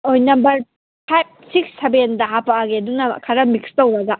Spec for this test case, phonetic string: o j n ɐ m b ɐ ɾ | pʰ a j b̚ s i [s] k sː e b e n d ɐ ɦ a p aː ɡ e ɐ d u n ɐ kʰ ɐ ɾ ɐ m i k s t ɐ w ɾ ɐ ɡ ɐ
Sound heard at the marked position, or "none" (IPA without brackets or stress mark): none